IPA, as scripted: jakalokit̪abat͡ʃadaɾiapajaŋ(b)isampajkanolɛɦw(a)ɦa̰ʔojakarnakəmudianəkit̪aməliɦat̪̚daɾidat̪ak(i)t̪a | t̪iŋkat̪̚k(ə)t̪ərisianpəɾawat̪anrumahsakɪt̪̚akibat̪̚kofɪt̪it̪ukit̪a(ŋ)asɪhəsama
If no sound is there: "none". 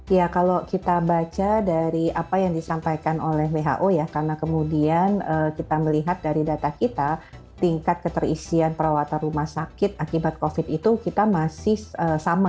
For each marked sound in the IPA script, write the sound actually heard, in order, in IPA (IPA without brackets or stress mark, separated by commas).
d, e, i, ə, m